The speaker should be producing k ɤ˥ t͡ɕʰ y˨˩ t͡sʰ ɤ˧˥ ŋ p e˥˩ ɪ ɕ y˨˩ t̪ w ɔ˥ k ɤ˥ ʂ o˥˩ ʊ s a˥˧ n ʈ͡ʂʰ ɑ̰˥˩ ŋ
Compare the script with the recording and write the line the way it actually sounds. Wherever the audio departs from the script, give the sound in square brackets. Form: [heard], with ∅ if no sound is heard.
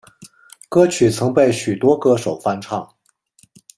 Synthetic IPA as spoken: k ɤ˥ t͡ɕʰ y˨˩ t͡sʰ ɤ˧˥ ŋ p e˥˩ ɪ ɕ y˨˩ t̪ w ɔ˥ k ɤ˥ ʂ [o˨˩] ʊ [f] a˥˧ n ʈ͡ʂʰ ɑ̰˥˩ ŋ